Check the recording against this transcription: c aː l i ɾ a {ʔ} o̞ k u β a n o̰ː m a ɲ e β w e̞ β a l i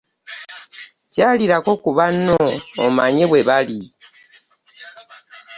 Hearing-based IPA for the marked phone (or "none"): k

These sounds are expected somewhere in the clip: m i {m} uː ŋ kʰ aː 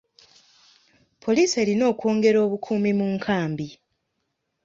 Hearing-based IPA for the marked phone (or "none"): m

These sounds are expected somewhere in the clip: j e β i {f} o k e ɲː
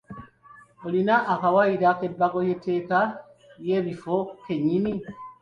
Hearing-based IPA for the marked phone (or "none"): f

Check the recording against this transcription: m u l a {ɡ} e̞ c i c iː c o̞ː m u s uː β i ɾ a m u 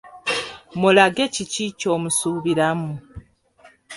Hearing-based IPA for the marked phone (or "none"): ɡ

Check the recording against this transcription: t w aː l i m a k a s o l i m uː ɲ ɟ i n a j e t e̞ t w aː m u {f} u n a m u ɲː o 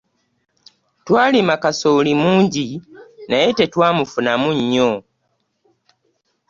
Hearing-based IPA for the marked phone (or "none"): f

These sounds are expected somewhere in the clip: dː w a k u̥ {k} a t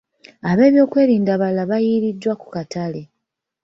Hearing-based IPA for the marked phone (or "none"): k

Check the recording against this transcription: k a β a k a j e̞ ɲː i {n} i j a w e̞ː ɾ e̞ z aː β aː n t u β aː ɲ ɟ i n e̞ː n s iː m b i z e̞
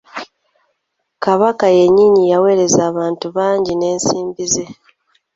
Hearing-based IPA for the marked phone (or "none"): ɲ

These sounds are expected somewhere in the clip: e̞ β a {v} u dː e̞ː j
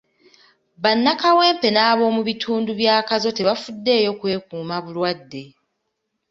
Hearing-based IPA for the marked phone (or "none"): f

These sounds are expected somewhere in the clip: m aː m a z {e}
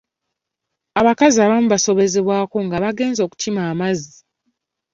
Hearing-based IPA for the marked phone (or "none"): i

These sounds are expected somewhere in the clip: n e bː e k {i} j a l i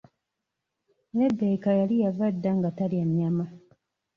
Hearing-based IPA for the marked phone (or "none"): a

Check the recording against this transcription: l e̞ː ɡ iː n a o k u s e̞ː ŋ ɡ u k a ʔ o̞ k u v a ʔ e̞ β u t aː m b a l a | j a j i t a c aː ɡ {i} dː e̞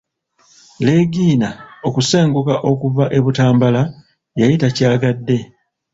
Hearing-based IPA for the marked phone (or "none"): a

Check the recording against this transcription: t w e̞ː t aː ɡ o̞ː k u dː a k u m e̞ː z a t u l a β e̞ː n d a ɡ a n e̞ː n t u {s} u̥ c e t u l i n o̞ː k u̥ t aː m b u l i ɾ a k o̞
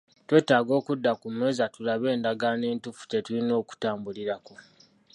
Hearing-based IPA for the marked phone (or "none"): f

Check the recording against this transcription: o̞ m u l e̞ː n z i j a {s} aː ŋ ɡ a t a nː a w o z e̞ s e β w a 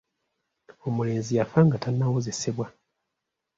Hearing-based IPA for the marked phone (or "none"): f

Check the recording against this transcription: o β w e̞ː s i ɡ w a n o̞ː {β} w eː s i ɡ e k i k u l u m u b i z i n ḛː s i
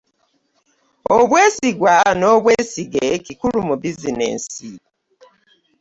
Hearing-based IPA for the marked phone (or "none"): β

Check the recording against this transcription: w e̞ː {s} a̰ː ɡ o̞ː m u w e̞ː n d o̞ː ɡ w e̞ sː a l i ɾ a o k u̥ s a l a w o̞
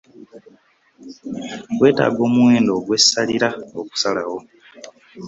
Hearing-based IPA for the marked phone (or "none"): t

